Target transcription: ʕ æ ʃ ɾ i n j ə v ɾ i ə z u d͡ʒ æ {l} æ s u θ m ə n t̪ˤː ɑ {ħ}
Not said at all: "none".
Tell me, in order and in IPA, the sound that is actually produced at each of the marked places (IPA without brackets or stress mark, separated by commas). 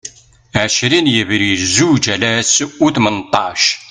l, ʃ